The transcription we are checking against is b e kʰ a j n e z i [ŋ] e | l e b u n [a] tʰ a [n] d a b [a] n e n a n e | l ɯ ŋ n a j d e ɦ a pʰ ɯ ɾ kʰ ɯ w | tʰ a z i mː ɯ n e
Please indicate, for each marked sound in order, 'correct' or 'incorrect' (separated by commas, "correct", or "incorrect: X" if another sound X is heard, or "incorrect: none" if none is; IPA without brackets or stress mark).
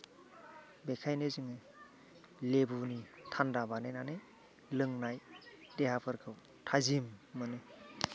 correct, incorrect: i, correct, correct